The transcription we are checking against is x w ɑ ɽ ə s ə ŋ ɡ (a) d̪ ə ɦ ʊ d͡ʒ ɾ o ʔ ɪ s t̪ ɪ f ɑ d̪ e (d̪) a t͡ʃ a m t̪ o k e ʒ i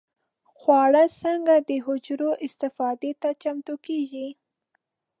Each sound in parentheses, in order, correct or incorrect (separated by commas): correct, incorrect